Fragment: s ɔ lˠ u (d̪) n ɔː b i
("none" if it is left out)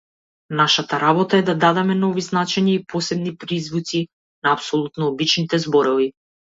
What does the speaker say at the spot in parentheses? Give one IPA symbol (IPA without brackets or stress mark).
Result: t̪